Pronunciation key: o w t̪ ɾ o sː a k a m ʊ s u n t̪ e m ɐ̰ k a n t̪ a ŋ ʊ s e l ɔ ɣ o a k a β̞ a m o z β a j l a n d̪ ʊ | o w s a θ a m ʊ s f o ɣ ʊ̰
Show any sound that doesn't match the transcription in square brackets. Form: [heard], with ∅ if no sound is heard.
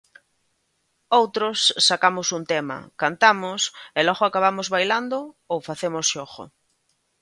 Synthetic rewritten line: o w t̪ ɾ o sː a k a m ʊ s u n t̪ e m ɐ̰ k a n t̪ a [m] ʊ s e l ɔ ɣ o a k a β̞ a m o z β a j l a n d̪ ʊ | o w [f] a θ [e] m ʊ s [ʃ] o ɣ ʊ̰

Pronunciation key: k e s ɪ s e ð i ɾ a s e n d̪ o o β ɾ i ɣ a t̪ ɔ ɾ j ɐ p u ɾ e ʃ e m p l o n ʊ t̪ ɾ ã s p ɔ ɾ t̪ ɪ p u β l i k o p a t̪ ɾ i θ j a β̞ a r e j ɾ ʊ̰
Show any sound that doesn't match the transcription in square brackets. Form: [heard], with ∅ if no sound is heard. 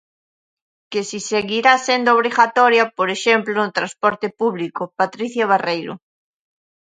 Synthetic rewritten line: k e s [i] s e [ɣ] i ɾ a s e n d̪ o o β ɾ i ɣ a t̪ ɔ ɾ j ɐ p [o] ɾ e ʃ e m p l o n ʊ t̪ ɾ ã s p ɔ ɾ t̪ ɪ p u β l i k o p a t̪ ɾ i θ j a β̞ a r e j ɾ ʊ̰

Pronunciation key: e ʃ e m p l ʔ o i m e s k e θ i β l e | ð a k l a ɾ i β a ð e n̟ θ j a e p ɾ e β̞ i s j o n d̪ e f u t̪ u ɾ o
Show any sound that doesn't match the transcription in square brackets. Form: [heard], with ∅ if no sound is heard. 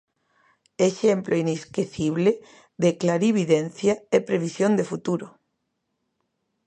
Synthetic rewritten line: e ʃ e m p l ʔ o i [n] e s k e θ i β l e | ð [e] k l a ɾ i β [i] ð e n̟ θ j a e p ɾ e β̞ i s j o n d̪ e f u t̪ u ɾ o

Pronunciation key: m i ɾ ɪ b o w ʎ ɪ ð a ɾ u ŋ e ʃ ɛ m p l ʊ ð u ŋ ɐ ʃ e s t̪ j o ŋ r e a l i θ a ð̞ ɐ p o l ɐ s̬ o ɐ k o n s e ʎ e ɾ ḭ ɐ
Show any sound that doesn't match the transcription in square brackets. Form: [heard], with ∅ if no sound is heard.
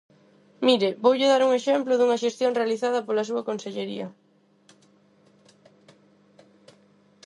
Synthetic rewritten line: m i ɾ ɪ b o w ʎ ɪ ð a ɾ u ŋ e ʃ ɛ m p l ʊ ð u ŋ ɐ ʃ e s t̪ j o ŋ r e a l i θ a ð̞ ɐ p o l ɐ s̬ [u] ɐ k o n s e ʎ e ɾ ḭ ɐ

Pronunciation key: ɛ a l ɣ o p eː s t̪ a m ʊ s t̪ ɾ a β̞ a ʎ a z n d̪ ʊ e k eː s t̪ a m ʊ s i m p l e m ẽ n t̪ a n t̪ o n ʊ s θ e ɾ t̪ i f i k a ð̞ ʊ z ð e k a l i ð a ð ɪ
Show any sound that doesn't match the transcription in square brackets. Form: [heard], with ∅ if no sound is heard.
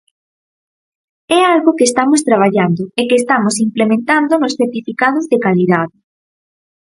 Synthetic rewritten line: ɛ a l ɣ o [k] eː s t̪ a m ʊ s t̪ ɾ a β̞ a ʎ a [∅] n d̪ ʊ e k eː s t̪ a m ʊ s i m p l e m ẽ n t̪ a n [d̪] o n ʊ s θ e ɾ t̪ i f i k a ð̞ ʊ z ð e k a l i ð a ð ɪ

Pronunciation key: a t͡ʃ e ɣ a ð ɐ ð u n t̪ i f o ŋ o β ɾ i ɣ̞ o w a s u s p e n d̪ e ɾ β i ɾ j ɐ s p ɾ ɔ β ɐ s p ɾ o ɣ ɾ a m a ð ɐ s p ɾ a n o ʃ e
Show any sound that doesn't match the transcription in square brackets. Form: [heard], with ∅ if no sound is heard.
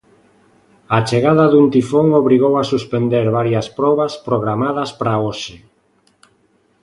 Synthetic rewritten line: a t͡ʃ e ɣ a ð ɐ ð u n t̪ i f o ŋ o β ɾ i ɣ̞ o w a s u s p e n d̪ e ɾ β [a] ɾ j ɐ s p ɾ ɔ β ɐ s p ɾ o ɣ ɾ a m a ð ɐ s p ɾ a [∅] o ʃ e

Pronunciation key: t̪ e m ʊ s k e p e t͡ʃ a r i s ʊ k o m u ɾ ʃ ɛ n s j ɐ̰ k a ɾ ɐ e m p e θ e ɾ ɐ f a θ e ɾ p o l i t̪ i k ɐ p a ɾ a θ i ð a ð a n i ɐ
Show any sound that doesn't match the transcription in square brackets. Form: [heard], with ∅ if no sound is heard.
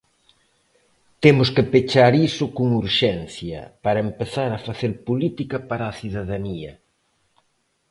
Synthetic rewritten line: t̪ e m ʊ s k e p e t͡ʃ a [ɾ] i s ʊ k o [ŋ] u ɾ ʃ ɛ n [θ] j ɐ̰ [p] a ɾ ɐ e m p e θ [a] ɾ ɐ f a θ e ɾ p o l i t̪ i k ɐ p a ɾ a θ i ð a ð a n i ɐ

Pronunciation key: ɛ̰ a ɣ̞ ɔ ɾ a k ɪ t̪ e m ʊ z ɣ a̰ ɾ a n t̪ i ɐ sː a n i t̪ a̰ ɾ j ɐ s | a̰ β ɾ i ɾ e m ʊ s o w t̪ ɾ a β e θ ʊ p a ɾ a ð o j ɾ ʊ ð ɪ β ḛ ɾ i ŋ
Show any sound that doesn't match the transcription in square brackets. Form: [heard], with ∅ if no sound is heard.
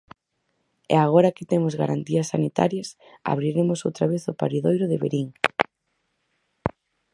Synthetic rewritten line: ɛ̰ a ɣ̞ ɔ ɾ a k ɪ t̪ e m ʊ z ɣ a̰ ɾ a n t̪ i ɐ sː a n i t̪ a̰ ɾ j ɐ s | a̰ β ɾ i ɾ e m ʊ s o w t̪ ɾ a β e θ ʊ p a ɾ [i] ð o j ɾ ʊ ð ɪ β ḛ ɾ i ŋ

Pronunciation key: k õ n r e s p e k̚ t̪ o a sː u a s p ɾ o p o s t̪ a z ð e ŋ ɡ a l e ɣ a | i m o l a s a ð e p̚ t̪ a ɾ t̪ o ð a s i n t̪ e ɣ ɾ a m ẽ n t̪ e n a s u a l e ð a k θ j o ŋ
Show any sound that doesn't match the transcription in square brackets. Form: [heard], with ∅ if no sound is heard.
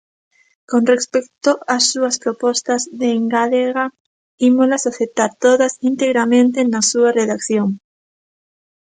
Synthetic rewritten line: k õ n r e s p e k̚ t̪ o a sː u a s p ɾ o p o s t̪ a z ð e ŋ ɡ a l e ɣ a | i m o l a s a [θ] e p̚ t̪ a ɾ t̪ o ð a s i n t̪ e ɣ ɾ a m ẽ n t̪ e n a s u a [r] e ð a k θ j o ŋ

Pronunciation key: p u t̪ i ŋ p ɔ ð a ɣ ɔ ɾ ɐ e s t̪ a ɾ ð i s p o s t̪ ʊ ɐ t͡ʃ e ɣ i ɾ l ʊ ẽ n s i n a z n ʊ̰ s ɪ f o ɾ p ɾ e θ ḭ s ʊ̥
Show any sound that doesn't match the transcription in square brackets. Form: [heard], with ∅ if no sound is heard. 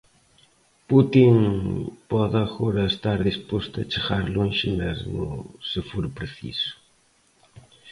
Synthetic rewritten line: p u t̪ i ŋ p ɔ ð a ɣ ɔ ɾ ɐ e s t̪ a ɾ ð i s p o s t̪ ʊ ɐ t͡ʃ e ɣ [a] ɾ l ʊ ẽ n [ʃ] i n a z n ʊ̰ s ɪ f o ɾ p ɾ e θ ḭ s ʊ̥

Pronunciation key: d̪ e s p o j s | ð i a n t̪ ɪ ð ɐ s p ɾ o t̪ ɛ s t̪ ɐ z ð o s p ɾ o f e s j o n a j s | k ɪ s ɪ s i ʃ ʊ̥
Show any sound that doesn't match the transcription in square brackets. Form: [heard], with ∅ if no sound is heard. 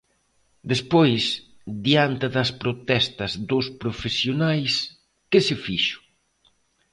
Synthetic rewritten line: d̪ e s p o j s | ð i a n t̪ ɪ ð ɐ s p ɾ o t̪ ɛ s t̪ ɐ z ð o s p ɾ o f e s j o n a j s | k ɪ s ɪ [f] i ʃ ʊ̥

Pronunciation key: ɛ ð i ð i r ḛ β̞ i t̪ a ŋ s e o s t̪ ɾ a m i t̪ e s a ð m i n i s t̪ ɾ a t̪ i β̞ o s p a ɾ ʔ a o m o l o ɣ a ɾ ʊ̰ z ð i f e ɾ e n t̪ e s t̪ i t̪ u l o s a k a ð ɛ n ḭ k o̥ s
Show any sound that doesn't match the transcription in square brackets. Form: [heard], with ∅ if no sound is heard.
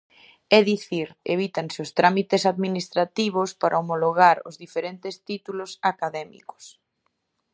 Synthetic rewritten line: ɛ ð i [θ] i [ɾ] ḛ β̞ i t̪ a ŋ s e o s t̪ ɾ a m i t̪ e s a ð m i n i s t̪ ɾ a t̪ i β̞ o s p a ɾ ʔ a o m o l o ɣ a ɾ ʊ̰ z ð i f e ɾ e n t̪ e s t̪ i t̪ u l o s a k a ð ɛ [m] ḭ k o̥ s

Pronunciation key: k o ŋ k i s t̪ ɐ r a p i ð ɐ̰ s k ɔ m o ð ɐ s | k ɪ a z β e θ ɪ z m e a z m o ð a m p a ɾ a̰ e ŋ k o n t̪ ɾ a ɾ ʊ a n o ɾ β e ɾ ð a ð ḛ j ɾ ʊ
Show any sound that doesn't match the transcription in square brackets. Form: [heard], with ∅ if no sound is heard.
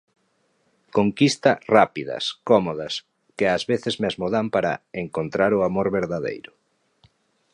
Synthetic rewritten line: k o ŋ k i s t̪ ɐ r a p i ð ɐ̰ s k ɔ m o ð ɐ s | k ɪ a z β e θ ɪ z m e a z m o ð a m p a ɾ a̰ e ŋ k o n t̪ ɾ a ɾ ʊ a [m] o ɾ β e ɾ ð a ð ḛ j ɾ ʊ

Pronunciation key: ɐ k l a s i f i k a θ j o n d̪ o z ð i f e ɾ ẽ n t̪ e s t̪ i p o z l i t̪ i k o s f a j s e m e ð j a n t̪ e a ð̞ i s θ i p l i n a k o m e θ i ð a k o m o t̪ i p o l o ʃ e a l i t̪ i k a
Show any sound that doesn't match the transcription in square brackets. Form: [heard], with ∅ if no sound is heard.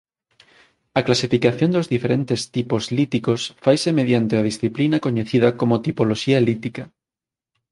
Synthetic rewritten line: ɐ k l a s i f i k a θ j o n d̪ o z ð i f e ɾ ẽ n t̪ e s t̪ i p o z l i t̪ i k o s f a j s e m e ð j a n t̪ e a ð̞ i s θ i p l i n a k o [ɲ] e θ i ð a k o m o t̪ i p o l o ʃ [i] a l i t̪ i k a

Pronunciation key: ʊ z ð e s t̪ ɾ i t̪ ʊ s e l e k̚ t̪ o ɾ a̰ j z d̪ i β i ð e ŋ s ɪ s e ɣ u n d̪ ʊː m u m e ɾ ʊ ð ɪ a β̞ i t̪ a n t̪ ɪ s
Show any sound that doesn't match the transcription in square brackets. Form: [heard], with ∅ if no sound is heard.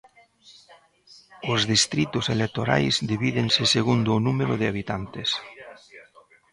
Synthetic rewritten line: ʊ z ð [i] s t̪ ɾ i t̪ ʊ s e l e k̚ t̪ o ɾ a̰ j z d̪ i β i ð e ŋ s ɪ s e ɣ u n d̪ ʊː [n] u m e ɾ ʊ ð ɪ a β̞ i t̪ a n t̪ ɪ s

